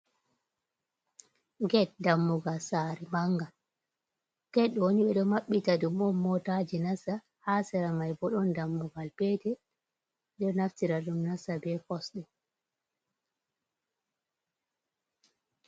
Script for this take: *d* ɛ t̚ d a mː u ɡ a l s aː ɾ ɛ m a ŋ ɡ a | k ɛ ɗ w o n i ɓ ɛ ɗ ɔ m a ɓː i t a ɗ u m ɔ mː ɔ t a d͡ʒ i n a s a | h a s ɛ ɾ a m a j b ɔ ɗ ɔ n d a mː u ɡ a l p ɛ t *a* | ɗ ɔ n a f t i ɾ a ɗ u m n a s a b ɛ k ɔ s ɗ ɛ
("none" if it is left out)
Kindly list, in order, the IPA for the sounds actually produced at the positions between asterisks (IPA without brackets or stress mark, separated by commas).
ɡ, ɛ